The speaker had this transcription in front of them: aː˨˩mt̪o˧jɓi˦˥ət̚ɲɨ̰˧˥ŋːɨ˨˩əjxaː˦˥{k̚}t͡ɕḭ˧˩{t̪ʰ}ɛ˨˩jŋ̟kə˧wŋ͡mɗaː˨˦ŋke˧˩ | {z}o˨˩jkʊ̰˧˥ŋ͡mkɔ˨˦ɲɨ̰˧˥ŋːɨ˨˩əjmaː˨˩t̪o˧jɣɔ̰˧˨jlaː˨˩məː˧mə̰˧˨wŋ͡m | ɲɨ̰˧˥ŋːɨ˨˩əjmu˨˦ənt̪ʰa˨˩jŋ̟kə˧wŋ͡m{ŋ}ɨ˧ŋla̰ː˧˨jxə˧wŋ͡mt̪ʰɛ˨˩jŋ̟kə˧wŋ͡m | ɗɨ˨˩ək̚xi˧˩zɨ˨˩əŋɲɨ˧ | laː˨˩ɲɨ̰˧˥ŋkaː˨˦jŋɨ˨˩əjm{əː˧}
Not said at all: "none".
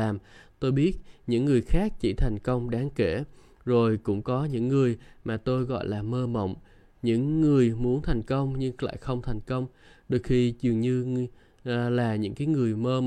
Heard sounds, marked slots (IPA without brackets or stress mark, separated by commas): k̚, t̪ʰ, z, ɲ, əː˧